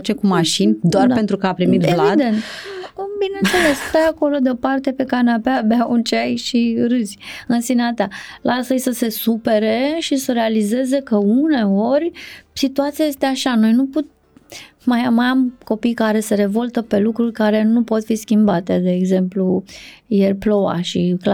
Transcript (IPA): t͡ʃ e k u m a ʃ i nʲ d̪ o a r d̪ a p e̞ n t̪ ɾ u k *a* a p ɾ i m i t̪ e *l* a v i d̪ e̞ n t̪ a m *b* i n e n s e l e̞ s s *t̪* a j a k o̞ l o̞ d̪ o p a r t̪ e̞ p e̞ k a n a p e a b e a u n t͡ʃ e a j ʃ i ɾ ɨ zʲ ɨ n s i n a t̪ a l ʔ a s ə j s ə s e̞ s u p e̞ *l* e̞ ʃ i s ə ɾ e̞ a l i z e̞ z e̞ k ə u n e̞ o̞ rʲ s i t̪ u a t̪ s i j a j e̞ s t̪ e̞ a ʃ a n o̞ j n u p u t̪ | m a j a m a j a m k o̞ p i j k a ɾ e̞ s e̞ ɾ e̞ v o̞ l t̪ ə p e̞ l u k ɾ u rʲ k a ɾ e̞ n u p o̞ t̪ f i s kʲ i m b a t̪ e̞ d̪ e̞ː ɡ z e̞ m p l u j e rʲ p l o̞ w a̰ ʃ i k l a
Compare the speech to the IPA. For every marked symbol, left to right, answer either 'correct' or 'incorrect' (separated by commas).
incorrect, correct, correct, correct, incorrect